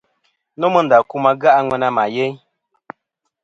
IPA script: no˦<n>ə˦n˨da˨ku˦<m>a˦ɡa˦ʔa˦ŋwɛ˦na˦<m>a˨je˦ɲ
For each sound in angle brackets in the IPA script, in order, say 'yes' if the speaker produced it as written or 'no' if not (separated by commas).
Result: no, yes, yes